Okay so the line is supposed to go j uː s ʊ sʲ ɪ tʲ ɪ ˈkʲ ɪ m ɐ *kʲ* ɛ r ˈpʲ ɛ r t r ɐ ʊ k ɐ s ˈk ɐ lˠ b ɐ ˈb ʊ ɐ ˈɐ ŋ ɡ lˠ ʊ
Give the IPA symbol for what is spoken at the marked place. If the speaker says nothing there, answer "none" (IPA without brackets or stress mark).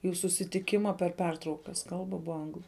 pʲ